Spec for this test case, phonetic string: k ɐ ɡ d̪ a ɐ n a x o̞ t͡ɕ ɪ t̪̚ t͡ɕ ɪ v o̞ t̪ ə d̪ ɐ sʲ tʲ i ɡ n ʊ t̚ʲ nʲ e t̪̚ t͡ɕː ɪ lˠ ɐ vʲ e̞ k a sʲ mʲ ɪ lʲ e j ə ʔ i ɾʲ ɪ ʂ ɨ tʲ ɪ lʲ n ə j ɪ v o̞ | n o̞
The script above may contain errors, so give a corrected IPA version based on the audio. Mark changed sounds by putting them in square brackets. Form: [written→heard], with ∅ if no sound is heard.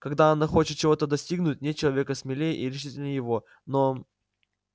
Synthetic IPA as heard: k ɐ ɡ d̪ a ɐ n a x o̞ t͡ɕ ɪ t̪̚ t͡ɕ ɪ v o̞ t̪ ə d̪ ɐ sʲ tʲ i ɡ n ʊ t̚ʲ nʲ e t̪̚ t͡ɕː ɪ lˠ ɐ vʲ e̞ k [a→ə] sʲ mʲ ɪ lʲ e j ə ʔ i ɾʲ ɪ ʂ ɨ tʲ ɪ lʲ n ə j ɪ v o̞ | n o̞